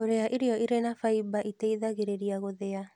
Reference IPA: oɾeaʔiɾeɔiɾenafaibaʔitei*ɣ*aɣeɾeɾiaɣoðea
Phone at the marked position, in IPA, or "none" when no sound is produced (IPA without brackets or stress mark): ð